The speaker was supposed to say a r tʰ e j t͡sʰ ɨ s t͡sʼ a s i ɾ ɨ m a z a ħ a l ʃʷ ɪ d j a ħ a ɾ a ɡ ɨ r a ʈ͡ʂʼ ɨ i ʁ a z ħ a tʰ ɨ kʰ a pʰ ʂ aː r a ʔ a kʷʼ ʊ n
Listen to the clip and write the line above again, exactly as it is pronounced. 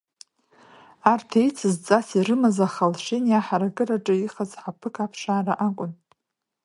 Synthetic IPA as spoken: a r tʰ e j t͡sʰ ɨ z t͡sʼ a s i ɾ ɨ m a z a χ a l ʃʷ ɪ n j a ħ a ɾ a ɡ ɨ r a ʈ͡ʂʼ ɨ i χ a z ħ a pʰ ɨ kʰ a pʰ ʂ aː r a ʔ a kʷʼ ʊ n